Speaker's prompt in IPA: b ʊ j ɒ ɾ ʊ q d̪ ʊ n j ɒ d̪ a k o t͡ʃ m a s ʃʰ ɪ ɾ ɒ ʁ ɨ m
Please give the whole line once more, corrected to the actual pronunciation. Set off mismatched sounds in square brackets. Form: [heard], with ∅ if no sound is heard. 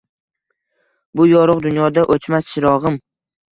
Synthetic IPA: b ʊ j ɒ ɾ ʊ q d̪ ʊ n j ɒ d̪ a [ʔ] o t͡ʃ m a s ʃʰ ɪ ɾ ɒ ʁ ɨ m